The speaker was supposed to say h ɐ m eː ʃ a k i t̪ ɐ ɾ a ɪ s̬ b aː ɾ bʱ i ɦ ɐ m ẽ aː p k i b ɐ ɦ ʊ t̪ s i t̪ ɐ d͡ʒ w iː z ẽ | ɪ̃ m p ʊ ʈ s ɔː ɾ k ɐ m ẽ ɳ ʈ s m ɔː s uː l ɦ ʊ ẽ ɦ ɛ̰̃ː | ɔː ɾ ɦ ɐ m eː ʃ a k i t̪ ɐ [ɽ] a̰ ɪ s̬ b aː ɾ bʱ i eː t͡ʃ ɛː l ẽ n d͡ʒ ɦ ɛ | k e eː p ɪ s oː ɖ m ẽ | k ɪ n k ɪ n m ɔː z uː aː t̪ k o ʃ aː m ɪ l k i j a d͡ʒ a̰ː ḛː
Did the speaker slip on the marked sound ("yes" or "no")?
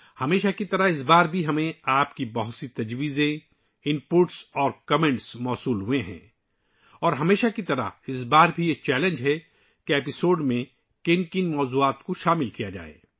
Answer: yes